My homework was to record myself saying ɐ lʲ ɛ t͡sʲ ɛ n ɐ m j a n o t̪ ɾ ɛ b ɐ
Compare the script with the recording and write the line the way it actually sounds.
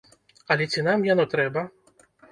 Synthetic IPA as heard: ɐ lʲ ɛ t͡sʲ i n a m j a n ɔ t̪ ɾ ɛ b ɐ